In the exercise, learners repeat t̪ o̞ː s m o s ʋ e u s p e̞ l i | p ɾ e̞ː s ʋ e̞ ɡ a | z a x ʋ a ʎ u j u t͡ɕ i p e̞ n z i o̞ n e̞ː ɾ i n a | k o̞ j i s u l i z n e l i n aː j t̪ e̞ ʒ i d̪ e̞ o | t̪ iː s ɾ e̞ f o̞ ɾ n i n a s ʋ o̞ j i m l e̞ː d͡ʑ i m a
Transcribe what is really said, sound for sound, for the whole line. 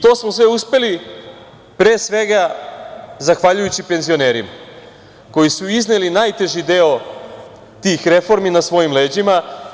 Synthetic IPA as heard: t̪ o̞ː s m o s ʋ e u s p e̞ l i | p ɾ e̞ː s ʋ e̞ ɡ a | z a x ʋ a ʎ u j u t͡ɕ i p e̞ n z i o̞ n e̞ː ɾ i m a | k o̞ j i s u i z n e l i n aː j t̪ e̞ ʒ i d̪ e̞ o | t̪ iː x ɾ e̞ f o̞ ɾ m i n a s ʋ o̞ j i m l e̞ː d͡ʑ i m a